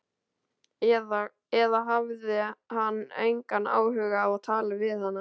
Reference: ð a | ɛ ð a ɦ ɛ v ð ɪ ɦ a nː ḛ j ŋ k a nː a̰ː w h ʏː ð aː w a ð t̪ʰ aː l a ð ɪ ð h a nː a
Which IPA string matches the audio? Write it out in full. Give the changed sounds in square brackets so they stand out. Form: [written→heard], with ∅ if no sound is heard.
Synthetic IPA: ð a | ɛ ð a ɦ [ɛ→a] v ð ɪ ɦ a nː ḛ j ŋ k a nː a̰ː w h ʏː [ð→ɣ] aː [w→v] a ð t̪ʰ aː l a [ð→v] ɪ ð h a nː a